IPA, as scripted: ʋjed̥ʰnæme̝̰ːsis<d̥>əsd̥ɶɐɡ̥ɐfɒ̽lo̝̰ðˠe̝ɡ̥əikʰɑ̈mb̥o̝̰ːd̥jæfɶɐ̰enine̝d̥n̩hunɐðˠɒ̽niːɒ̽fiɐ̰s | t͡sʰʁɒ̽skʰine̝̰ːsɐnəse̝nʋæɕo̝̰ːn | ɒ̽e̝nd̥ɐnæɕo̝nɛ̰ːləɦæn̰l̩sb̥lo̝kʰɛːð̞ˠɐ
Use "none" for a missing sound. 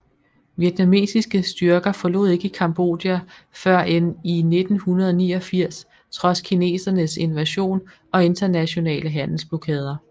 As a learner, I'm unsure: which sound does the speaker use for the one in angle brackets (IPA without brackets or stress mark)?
ɡ̥